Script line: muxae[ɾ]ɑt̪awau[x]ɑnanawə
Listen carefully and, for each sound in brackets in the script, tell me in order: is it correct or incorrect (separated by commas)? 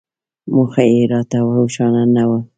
correct, incorrect